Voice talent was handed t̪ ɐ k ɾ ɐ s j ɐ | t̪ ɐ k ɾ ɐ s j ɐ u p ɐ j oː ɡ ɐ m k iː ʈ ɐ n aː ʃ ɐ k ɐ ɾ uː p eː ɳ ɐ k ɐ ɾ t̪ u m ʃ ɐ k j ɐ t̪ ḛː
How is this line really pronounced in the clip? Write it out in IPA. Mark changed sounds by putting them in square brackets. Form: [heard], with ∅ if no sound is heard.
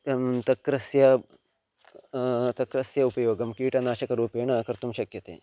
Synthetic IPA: t̪ ɐ k ɾ ɐ s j ɐ | t̪ ɐ k ɾ ɐ s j ɐ u p ɐ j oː ɡ ɐ m k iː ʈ ɐ n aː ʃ ɐ k ɐ ɾ uː p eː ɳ ɐ k ɐ ɾ t̪ u m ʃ ɐ k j ɐ t̪ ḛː